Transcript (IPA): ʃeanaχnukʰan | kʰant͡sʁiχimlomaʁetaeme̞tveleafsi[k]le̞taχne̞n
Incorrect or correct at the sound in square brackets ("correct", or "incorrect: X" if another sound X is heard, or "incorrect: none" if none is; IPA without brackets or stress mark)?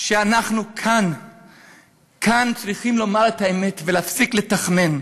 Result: correct